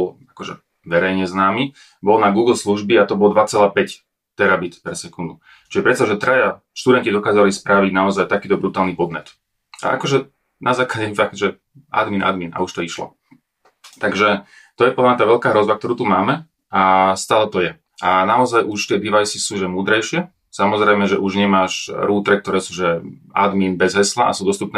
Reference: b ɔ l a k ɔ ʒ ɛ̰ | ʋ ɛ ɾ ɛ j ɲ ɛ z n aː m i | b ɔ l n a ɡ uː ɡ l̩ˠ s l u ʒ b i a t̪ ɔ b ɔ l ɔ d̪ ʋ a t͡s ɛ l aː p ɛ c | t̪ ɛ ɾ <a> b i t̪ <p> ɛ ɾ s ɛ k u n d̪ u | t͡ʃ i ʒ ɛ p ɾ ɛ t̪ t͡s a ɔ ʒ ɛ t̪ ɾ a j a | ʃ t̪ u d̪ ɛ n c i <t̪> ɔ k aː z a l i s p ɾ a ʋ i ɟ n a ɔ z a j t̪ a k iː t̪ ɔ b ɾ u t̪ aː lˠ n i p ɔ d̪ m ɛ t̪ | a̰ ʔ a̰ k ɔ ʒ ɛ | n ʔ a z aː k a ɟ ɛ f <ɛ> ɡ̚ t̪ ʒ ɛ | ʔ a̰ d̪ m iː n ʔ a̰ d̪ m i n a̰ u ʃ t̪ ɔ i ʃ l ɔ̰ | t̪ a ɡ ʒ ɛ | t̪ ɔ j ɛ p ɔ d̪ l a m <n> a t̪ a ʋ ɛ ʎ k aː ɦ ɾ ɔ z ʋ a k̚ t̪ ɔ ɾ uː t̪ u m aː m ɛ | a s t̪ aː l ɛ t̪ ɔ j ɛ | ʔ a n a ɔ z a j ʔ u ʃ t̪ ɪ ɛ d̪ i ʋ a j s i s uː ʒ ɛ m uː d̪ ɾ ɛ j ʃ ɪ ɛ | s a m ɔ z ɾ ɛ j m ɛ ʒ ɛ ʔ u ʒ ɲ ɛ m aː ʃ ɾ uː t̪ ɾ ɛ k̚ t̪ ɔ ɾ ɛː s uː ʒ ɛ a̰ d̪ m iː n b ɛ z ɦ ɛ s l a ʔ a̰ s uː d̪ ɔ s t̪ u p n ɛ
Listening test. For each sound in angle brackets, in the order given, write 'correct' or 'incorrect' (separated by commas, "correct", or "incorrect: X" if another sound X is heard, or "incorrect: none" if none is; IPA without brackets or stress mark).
correct, correct, incorrect: d̪, incorrect: a, incorrect: ɲ